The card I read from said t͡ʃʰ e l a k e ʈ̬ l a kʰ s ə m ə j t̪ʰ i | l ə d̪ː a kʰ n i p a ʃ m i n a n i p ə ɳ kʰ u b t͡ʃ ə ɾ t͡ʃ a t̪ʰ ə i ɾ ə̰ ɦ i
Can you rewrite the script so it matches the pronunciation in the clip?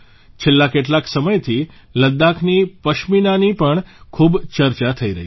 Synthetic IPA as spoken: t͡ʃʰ e lː a k e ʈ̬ l a k s ə m ə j t̪ʰ i | l ə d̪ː a kʰ n i p ə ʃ m i n a n i p ə ɳ kʰ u b t͡ʃ ə ɾ t͡ʃ a t̪ʰ ə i ɾ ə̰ ɦ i